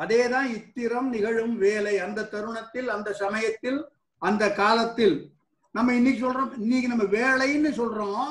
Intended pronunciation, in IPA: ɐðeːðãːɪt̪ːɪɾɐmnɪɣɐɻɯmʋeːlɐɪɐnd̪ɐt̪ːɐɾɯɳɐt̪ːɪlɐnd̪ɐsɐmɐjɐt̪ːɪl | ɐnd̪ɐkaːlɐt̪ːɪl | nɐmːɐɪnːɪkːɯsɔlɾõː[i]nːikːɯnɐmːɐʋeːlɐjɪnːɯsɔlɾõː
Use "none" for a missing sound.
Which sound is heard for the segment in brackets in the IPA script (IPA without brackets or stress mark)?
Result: ɪ